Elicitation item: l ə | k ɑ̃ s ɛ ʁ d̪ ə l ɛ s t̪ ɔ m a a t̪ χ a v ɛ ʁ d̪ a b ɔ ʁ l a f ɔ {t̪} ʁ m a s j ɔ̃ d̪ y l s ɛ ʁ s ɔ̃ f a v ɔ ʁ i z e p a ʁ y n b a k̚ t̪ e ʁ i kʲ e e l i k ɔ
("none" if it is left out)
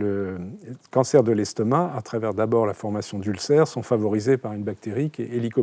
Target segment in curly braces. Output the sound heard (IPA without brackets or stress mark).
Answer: none